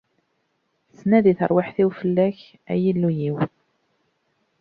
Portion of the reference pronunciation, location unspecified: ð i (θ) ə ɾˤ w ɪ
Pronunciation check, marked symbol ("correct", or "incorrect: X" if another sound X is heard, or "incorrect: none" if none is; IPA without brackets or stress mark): correct